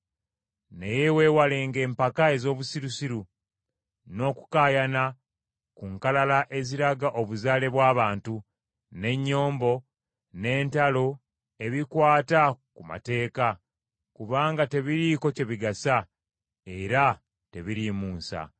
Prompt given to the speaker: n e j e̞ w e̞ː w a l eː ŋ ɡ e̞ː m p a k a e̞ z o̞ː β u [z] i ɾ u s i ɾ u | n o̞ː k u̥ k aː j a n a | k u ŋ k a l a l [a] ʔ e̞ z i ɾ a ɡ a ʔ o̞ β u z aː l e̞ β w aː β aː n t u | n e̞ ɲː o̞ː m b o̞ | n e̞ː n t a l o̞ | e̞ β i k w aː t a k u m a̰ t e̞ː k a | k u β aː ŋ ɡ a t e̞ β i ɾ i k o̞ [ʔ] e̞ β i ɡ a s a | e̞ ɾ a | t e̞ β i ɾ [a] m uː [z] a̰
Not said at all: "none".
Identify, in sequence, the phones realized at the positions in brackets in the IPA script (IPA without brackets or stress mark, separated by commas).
s, a, c, i, s